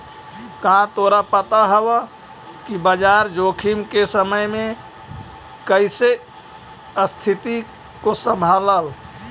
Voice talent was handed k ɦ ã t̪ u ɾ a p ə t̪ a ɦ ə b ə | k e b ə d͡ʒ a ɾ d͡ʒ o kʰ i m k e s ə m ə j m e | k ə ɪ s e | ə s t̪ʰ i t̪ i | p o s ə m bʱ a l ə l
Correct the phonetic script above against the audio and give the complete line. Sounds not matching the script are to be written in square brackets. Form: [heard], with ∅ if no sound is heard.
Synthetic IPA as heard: k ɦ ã t̪ [o] ɾ a p ə t̪ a ɦ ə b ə | k [i] b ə d͡ʒ a ɾ d͡ʒ o kʰ i m k e s ə m ə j m e | k ə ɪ s e | ə s t̪ʰ i t̪ i | [k] o s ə m bʱ a l ə l